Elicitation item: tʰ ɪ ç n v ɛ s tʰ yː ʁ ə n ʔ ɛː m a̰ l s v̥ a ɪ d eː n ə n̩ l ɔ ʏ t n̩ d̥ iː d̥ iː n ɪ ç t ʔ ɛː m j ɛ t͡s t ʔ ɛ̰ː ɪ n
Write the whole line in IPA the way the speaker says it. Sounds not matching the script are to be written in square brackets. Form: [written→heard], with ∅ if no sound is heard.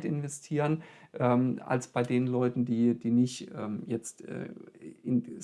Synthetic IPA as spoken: [tʰ→t] ɪ [ç→∅] n v ɛ s tʰ [yː→iː] ʁ ə n ʔ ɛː m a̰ l s [v̥→b̥] a ɪ d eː n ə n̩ l ɔ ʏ t n̩ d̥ iː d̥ iː n ɪ ç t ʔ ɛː m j ɛ t͡s t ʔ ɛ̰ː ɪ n